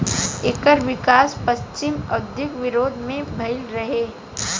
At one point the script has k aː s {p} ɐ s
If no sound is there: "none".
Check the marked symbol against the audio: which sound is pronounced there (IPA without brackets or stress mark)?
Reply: p